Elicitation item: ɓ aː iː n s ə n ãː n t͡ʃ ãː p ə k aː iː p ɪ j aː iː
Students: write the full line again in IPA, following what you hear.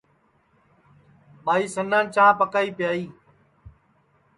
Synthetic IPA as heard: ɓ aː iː s ə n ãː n t͡ʃ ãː p ə k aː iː p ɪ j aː iː